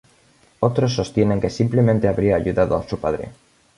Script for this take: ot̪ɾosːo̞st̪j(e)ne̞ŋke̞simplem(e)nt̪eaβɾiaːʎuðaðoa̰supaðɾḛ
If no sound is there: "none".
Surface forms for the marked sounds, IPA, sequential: e, ẽ

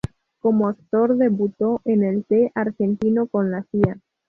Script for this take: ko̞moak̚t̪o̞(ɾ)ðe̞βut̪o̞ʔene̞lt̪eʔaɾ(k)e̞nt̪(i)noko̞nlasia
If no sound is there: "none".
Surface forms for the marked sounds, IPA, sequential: ɾ, x, i

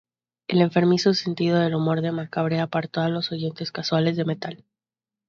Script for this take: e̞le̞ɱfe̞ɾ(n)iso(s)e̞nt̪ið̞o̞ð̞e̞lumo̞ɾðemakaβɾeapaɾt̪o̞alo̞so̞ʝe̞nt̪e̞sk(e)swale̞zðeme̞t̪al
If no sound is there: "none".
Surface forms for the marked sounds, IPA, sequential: m, s, a

